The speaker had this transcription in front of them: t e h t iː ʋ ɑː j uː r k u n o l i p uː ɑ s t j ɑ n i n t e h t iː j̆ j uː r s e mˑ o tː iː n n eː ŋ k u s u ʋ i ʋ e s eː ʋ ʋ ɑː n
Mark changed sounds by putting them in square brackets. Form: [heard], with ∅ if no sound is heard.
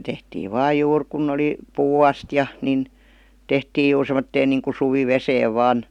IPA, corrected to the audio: t e h t iː ʋ ɑː j uː r k u [nː] o l i p uː ɑ s t j ɑ n i n t e h t iː j̆ j uː r s e mˑ o tː [eː] n n [iː] ŋ k u s u ʋ i ʋ e s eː ʋ ʋ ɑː n